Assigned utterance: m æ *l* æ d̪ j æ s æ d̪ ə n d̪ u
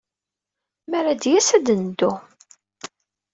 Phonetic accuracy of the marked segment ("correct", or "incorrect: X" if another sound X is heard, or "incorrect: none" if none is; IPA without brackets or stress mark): incorrect: ɾ